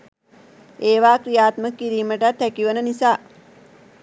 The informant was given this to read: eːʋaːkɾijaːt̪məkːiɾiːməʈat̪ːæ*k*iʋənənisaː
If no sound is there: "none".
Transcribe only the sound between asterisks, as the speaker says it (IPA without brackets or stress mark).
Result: k